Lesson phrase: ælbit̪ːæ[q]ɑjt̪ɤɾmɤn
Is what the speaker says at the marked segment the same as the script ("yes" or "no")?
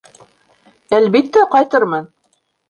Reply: yes